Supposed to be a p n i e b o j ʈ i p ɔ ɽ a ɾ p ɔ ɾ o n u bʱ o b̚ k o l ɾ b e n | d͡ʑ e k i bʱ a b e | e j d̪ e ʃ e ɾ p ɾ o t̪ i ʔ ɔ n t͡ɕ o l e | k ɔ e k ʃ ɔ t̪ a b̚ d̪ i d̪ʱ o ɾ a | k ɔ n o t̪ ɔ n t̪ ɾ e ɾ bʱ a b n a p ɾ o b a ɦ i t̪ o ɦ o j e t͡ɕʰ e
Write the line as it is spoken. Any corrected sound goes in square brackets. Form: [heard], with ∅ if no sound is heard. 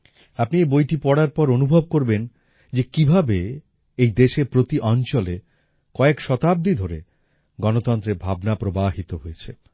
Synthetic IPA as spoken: a p n i e b o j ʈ i p ɔ ɽ a ɾ p ɔ ɾ o n u bʱ o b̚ k o [∅] ɾ b e n | d͡ʑ e k i bʱ a b e | e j d̪ e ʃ e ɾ p ɾ o t̪ i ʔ ɔ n t͡ɕ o l e | k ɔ e k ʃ ɔ t̪ a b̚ d̪ i d̪ʱ o ɾ [e] | [ɡ] ɔ n o t̪ ɔ n t̪ ɾ e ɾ bʱ a b n a p ɾ o b a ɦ i t̪ o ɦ o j e t͡ɕʰ e

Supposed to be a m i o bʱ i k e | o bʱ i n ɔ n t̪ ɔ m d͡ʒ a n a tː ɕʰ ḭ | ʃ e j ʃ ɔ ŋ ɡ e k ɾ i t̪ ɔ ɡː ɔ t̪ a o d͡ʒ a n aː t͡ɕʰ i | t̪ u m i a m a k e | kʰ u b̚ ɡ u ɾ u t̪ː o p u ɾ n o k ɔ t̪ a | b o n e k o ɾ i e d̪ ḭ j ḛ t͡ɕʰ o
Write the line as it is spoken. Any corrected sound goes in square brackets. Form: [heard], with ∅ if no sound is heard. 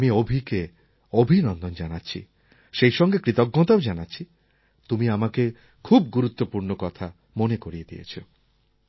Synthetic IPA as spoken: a m i o bʱ i k e | o bʱ i n ɔ n [d̪] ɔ [n] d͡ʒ a n a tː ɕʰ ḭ | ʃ e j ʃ ɔ ŋ ɡ e k ɾ i t̪ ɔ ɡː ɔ t̪ a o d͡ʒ a n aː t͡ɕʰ i | t̪ u m i a m a k e | kʰ u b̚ ɡ u ɾ u t̪ː o p u ɾ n o k ɔ [t̪ʰ] a | [m] o n e k o ɾ i e d̪ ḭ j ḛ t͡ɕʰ o

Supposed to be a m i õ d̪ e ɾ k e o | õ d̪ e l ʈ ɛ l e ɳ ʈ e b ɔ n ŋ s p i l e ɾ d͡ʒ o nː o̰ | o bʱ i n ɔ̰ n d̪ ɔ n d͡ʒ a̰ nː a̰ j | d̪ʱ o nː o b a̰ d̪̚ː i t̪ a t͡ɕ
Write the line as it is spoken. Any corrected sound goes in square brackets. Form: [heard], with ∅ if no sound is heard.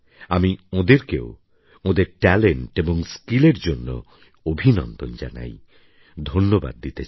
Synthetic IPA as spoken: a m i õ d̪ e ɾ k e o | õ d̪ e [ɾ] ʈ ɛ l e ɳ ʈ e b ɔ [∅] ŋ s [k] i l e ɾ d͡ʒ o nː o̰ | o bʱ i n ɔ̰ n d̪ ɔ n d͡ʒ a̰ [n] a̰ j | d̪ʱ o nː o b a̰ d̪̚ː i t̪ [e] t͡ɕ

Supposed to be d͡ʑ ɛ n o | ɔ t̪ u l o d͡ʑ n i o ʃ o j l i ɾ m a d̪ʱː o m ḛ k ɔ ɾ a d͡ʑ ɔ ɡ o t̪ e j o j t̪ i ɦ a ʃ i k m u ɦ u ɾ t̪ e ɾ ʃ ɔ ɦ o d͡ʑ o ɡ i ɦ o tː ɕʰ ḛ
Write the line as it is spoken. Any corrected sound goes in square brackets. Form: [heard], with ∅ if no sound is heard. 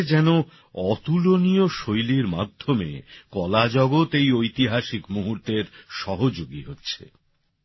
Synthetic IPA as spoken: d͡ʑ ɛ n o | ɔ t̪ u l o [∅] n i o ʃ o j l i ɾ m a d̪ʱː o m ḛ k ɔ [l] a d͡ʑ ɔ ɡ o t̪ e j o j t̪ i ɦ a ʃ i k m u ɦ u ɾ t̪ e ɾ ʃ ɔ ɦ o d͡ʑ o ɡ i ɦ o tː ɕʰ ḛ

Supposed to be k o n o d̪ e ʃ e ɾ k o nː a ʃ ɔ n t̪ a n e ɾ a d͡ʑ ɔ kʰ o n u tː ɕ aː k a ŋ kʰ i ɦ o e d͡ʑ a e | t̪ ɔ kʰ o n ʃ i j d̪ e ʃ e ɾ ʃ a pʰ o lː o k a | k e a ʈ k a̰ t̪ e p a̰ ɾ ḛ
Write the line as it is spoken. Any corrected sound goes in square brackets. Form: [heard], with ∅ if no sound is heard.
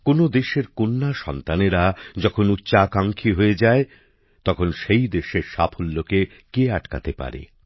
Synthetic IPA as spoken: k o n o d̪ e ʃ e ɾ k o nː a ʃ ɔ n t̪ a n e ɾ a d͡ʑ ɔ kʰ o n u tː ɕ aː k a ŋ kʰ i ɦ o e d͡ʑ a e | t̪ ɔ kʰ o n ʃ [e] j d̪ e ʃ e ɾ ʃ a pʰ o lː o k [e] | k e a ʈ k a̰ t̪ e p a̰ ɾ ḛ

